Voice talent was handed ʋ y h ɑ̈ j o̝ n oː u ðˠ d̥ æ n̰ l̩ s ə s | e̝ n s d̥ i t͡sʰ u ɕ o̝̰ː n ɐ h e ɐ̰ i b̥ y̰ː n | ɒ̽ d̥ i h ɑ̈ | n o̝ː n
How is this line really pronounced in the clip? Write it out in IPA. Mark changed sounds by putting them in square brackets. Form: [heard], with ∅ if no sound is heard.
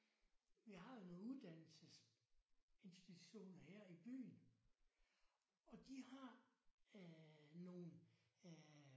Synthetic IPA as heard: ʋ [i] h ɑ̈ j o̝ n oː u ðˠ d̥ æ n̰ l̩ s ə s | e̝ n s d̥ i t͡sʰ u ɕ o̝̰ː n ɐ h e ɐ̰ i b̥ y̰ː n | ɒ̽ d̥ i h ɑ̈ | n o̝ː n